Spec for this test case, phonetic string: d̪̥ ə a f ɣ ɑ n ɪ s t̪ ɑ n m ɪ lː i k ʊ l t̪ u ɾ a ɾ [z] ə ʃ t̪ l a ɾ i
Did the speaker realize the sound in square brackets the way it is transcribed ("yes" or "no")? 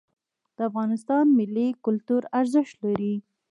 yes